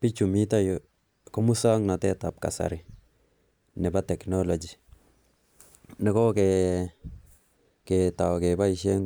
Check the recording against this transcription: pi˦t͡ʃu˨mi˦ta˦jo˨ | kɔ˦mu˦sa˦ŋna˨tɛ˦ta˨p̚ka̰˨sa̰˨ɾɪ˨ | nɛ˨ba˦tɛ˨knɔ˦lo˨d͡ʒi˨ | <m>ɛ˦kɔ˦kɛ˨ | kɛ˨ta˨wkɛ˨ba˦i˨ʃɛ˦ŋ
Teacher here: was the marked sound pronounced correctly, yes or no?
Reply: no